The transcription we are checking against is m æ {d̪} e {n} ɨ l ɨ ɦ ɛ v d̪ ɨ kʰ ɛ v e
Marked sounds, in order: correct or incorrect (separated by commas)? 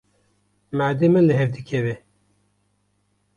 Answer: correct, incorrect